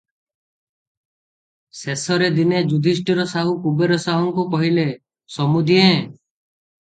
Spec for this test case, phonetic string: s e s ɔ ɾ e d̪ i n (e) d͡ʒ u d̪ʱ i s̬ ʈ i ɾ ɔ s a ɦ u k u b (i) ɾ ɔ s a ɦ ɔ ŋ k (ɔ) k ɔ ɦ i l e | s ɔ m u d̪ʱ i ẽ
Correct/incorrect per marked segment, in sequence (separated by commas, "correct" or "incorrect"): correct, incorrect, incorrect